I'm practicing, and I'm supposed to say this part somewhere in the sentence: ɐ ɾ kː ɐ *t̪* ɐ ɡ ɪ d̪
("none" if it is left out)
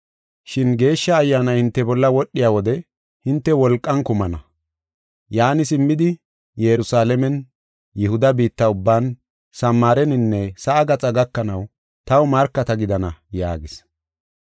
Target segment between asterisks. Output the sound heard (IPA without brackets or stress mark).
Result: t̪